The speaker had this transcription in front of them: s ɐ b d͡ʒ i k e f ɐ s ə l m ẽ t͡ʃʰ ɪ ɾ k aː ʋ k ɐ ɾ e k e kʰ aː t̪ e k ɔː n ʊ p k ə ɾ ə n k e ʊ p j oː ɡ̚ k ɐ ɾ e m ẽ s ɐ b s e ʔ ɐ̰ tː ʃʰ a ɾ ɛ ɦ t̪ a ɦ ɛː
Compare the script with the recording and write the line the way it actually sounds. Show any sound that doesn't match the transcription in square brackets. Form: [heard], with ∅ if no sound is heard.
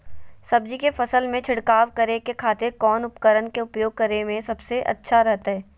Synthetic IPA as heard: s ɐ b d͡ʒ i k e f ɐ s ə l m ẽ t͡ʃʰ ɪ [ɽ] k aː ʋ k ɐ ɾ e k e kʰ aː t̪ e k ɔː n ʊ p k ə ɾ ə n k e ʊ p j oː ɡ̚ k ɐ ɾ e m ẽ s ɐ b s e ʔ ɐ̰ tː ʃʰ a ɾ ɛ ɦ t̪ a ɦ ɛː